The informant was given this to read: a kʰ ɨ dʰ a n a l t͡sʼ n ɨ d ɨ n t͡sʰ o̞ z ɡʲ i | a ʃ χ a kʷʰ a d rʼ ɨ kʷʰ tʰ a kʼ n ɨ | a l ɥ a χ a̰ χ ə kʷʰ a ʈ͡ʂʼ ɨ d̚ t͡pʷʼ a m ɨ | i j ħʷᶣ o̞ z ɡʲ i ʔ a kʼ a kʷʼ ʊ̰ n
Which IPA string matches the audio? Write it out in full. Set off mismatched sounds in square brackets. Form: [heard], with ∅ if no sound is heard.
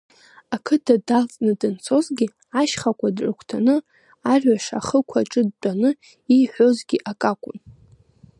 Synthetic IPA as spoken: a kʰ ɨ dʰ a [d] a l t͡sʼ n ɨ d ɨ n t͡sʰ o̞ z ɡʲ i | a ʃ χ a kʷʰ a d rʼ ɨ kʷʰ tʰ a [∅] n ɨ | a [r] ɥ a [ʂ] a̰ χ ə kʷʰ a ʈ͡ʂʼ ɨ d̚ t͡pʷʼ a [n] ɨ | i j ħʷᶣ o̞ z ɡʲ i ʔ a kʼ a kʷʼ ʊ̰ n

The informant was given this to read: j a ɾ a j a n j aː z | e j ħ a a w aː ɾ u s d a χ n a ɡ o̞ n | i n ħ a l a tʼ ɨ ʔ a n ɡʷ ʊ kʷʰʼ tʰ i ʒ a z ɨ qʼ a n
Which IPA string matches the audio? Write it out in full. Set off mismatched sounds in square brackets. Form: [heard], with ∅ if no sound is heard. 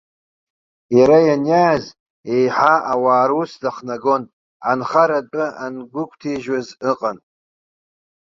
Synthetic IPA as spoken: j a ɾ a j a n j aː z | e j ħ a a w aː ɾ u s d a χ n a ɡ o̞ n | [a] n [χ] a [ɾ] a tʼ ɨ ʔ a n ɡʷ ʊ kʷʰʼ tʰ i ʒ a z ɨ qʼ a n

